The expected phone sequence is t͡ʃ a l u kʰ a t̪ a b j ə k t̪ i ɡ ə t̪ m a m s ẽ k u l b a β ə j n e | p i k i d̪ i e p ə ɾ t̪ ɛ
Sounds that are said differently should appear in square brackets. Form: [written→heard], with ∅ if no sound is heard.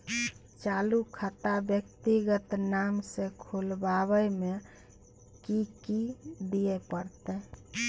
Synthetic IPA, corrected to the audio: t͡ʃ a l u kʰ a t̪ a b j ə k t̪ i ɡ ə t̪ [m→n] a m s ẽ [k→kʰ] u l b a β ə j [n→m] e | [p→k] i k i d̪ i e p ə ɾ t̪ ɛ